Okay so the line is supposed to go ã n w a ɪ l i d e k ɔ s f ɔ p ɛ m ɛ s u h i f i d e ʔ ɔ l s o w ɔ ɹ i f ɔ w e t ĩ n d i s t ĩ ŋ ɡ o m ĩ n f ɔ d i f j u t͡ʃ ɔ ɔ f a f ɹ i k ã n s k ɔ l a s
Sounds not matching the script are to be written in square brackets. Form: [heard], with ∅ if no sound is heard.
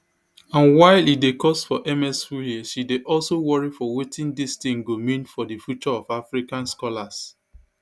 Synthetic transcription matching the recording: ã n w a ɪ l i d e k ɔ s f ɔ [ʔ] ɛ m ɛ s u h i [ʃ] i d e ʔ ɔ l s o w ɔ ɹ i f ɔ w e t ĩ n d i s t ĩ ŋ ɡ o m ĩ n f ɔ d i f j u t͡ʃ ɔ ɔ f a f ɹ i k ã n s k ɔ l a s